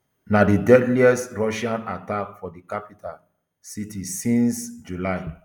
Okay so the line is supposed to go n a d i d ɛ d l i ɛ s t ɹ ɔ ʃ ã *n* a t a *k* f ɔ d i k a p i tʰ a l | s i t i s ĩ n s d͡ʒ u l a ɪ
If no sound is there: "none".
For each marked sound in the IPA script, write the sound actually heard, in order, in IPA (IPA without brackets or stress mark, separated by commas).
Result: n, k